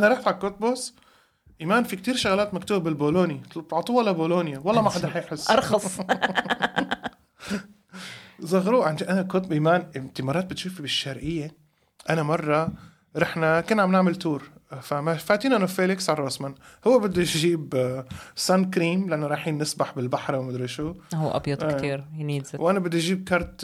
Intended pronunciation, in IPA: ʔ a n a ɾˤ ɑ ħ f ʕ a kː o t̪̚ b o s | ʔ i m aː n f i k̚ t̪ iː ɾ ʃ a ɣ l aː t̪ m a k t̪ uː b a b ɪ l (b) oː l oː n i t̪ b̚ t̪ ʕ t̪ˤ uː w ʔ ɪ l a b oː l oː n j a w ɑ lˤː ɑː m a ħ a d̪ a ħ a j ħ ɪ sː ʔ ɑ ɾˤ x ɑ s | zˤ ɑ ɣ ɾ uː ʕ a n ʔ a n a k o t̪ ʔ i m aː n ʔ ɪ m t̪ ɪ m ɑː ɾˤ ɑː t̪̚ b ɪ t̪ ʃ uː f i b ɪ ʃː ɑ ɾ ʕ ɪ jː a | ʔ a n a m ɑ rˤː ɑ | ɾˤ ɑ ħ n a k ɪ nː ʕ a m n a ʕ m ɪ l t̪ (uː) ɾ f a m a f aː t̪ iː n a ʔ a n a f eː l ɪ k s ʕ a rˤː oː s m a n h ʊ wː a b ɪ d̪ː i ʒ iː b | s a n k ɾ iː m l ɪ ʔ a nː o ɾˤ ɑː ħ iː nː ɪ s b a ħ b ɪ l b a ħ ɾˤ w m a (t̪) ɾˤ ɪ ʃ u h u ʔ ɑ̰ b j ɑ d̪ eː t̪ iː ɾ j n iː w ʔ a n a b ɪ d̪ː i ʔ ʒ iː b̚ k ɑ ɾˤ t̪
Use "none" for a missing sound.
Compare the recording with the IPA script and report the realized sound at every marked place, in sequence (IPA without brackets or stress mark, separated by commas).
b, uː, d̪